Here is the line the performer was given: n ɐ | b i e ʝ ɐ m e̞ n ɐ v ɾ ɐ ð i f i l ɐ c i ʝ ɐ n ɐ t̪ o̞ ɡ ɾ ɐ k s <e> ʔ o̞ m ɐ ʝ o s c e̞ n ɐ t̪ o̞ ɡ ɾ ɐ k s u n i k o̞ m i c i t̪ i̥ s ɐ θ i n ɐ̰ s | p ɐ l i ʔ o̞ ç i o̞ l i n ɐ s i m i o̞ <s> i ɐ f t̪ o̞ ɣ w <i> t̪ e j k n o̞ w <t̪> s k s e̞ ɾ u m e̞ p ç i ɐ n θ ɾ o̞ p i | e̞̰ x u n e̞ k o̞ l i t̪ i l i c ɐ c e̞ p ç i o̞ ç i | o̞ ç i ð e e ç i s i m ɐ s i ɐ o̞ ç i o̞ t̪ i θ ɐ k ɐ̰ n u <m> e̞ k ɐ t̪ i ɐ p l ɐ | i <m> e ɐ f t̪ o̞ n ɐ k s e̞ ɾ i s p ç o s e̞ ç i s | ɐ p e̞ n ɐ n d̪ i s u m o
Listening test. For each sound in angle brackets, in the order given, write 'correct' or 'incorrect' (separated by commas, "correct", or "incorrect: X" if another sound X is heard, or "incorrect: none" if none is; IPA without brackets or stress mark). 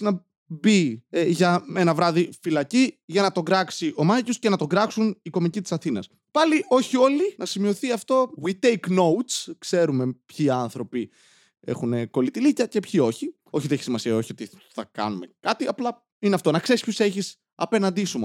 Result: incorrect: i, incorrect: θ, correct, correct, correct, incorrect: n